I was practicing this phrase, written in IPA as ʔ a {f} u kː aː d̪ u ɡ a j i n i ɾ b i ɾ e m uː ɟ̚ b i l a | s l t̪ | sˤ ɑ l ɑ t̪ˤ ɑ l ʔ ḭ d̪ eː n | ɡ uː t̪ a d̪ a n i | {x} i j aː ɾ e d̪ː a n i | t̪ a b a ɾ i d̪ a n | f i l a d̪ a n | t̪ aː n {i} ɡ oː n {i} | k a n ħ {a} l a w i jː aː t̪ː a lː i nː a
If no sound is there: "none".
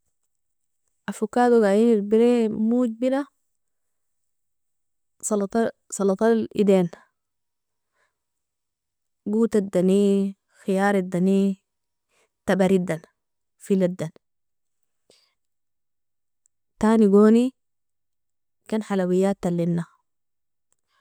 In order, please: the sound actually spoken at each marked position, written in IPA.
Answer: f, x, i, i, a

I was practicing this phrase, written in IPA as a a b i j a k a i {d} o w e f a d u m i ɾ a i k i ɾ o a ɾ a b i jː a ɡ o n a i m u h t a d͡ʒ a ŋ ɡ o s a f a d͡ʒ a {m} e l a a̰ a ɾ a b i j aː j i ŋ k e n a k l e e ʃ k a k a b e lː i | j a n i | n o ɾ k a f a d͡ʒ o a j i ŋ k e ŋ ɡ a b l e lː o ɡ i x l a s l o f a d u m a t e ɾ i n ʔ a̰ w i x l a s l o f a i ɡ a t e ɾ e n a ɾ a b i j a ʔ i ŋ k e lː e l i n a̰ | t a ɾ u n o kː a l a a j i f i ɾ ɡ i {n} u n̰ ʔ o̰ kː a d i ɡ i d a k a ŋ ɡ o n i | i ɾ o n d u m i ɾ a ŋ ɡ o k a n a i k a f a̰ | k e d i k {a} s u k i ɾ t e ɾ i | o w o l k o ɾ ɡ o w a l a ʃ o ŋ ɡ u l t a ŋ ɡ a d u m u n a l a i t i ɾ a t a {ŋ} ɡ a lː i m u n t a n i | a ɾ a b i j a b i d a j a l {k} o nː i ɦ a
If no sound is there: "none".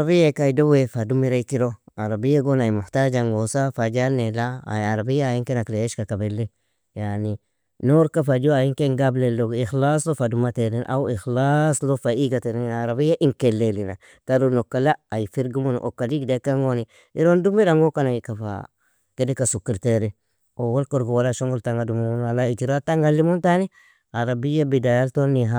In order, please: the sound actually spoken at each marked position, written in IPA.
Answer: d, n, m, a, ŋ, t

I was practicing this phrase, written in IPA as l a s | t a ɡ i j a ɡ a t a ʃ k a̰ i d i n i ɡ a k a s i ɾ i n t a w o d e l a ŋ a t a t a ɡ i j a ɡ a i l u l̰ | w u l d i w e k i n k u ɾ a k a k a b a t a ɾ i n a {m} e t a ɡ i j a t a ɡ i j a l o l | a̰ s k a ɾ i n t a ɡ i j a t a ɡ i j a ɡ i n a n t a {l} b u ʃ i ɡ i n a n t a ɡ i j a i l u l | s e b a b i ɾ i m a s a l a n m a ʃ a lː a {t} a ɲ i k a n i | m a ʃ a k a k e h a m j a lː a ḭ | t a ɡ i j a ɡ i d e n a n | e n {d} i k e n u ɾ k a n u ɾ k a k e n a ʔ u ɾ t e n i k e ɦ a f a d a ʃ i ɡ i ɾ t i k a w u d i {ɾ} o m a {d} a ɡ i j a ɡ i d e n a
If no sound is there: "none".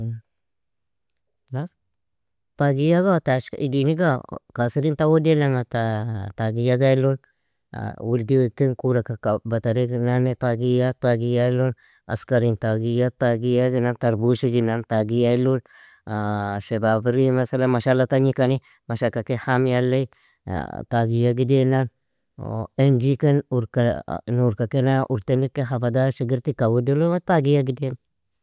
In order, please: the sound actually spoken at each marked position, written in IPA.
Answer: n, ɾ, t, d͡ʒ, l, t

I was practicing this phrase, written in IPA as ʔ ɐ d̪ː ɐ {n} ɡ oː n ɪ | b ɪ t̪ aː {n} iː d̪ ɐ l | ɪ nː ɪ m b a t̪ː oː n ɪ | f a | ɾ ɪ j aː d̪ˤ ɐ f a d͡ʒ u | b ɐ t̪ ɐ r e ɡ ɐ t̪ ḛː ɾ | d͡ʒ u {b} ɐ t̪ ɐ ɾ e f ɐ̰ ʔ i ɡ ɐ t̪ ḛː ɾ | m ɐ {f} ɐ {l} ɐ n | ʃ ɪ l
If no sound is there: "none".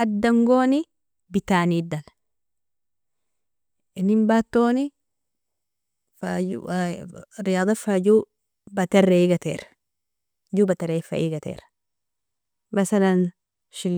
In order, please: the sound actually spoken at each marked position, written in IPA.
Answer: ŋ, n, b, s, l

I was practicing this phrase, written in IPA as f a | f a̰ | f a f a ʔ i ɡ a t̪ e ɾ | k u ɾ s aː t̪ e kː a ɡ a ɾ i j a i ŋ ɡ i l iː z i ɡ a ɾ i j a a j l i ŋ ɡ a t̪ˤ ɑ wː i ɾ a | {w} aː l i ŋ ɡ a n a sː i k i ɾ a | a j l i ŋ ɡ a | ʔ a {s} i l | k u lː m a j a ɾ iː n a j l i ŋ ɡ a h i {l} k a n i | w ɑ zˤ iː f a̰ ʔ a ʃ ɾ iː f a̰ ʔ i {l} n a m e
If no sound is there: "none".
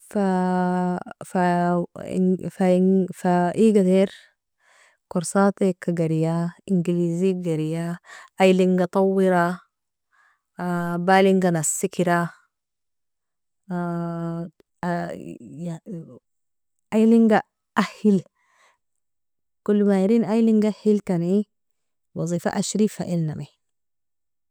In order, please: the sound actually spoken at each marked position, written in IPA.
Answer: b, h, l, l

